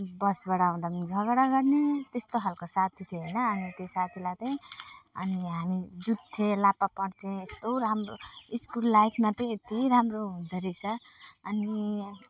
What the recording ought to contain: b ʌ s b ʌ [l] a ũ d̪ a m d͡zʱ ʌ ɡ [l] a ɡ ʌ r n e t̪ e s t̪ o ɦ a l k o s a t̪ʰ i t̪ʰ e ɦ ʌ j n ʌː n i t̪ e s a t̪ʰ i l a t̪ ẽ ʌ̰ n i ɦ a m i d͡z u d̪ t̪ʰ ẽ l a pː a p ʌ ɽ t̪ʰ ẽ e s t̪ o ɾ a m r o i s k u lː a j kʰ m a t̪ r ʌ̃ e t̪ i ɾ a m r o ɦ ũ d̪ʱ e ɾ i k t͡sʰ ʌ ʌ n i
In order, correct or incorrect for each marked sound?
incorrect, incorrect

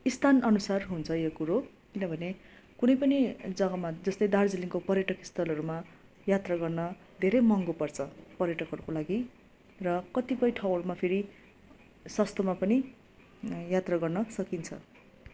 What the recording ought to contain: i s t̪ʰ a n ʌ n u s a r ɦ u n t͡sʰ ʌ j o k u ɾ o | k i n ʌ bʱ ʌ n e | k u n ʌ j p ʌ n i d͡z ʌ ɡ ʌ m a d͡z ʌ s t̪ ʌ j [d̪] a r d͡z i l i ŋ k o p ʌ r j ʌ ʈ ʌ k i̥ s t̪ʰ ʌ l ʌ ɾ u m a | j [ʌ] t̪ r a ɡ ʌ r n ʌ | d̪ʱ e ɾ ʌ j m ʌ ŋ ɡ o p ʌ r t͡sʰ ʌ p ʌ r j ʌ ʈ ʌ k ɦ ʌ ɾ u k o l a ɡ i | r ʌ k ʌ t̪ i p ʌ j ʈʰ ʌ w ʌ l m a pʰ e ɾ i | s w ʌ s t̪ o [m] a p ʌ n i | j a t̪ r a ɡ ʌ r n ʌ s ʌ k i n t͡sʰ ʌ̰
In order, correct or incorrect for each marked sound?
correct, incorrect, correct

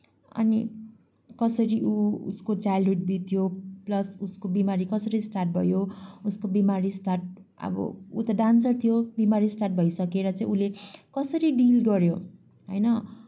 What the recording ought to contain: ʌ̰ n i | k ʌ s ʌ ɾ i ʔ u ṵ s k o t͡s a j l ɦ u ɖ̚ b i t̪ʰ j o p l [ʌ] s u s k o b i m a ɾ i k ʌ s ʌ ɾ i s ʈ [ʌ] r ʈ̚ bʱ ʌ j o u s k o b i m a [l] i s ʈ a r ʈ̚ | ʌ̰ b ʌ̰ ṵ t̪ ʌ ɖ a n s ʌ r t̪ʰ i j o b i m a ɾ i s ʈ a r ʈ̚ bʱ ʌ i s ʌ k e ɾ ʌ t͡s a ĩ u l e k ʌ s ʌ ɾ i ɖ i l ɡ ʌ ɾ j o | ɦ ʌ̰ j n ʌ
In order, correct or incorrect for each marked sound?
correct, incorrect, incorrect

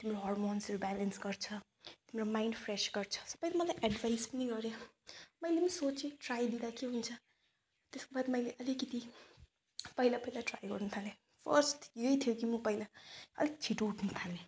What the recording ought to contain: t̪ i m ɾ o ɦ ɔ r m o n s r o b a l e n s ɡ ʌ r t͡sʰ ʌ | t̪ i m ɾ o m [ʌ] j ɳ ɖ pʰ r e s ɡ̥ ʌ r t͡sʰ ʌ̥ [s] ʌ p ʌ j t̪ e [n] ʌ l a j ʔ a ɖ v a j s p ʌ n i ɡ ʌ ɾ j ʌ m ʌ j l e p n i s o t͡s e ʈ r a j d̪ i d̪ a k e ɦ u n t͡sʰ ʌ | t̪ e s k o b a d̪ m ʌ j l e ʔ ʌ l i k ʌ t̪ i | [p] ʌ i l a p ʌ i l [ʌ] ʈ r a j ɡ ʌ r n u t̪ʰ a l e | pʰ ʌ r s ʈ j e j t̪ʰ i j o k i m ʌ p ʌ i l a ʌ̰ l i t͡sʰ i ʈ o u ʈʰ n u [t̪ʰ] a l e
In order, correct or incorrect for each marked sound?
incorrect, correct, incorrect, correct, incorrect, correct

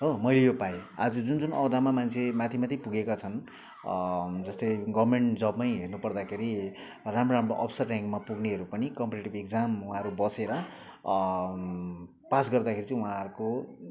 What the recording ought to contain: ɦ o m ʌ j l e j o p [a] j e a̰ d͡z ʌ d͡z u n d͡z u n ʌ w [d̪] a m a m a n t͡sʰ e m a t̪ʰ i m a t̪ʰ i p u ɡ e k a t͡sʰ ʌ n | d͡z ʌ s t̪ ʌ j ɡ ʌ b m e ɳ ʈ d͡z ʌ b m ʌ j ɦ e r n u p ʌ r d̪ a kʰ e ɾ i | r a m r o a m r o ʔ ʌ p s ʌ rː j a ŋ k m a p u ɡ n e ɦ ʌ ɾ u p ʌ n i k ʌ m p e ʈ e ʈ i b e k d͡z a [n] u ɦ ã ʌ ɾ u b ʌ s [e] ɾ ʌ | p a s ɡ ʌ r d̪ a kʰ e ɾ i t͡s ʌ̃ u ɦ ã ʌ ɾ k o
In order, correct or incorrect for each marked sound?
correct, correct, incorrect, correct

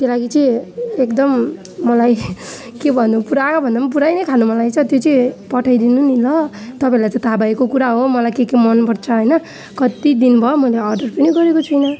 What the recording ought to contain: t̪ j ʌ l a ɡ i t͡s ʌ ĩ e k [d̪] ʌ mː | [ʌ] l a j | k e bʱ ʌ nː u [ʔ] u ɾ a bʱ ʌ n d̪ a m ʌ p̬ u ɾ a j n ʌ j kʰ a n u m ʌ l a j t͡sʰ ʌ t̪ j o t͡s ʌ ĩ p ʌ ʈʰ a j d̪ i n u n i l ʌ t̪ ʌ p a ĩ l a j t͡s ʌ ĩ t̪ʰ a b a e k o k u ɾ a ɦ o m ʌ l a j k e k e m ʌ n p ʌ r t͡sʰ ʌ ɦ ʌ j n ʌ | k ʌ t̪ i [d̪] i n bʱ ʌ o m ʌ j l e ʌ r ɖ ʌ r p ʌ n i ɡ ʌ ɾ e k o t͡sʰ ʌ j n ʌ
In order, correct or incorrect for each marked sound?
correct, correct, incorrect, correct

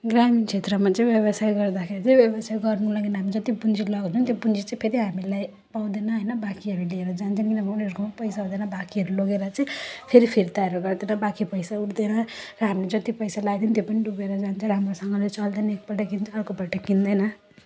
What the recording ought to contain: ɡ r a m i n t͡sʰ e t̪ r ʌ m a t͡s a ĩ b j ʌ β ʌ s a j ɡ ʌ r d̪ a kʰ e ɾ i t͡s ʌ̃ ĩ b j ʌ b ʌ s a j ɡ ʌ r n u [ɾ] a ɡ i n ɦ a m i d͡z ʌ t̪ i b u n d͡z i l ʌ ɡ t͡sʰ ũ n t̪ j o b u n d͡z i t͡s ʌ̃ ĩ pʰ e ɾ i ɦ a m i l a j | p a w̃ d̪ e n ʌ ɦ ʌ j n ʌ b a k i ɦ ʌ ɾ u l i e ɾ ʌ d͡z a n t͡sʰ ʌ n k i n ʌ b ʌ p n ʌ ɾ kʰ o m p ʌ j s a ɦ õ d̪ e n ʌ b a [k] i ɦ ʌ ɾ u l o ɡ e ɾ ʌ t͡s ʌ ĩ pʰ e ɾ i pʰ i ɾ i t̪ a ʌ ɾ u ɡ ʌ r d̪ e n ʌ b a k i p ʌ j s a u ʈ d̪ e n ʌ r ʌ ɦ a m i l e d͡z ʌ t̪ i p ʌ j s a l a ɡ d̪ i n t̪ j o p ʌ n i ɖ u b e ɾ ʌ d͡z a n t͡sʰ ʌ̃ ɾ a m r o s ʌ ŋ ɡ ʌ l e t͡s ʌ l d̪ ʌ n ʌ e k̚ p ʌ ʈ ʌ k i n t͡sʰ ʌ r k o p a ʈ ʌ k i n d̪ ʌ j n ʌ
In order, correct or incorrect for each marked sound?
incorrect, correct

